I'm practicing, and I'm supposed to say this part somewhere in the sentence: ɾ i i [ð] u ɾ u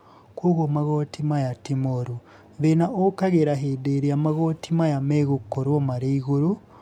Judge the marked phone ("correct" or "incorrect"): incorrect